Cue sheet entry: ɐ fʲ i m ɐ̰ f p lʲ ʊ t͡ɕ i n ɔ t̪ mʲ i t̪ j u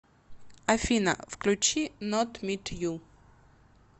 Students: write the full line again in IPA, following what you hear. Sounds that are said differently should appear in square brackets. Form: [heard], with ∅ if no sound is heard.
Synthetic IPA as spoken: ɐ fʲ i [n] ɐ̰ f [k] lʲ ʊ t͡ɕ i n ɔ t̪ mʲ i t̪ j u